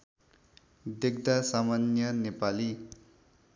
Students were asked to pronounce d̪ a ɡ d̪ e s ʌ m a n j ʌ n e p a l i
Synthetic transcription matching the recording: d̪ e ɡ d̪ a s a m a n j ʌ n e p a l i